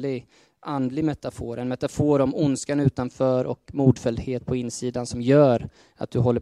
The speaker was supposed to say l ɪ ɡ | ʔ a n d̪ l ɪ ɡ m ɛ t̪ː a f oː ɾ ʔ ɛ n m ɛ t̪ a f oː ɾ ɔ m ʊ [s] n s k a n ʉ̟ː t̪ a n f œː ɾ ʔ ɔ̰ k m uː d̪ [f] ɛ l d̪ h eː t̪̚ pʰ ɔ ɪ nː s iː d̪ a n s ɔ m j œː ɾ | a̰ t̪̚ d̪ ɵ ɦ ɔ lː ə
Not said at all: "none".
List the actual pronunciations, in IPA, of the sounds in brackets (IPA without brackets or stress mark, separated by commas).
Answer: none, f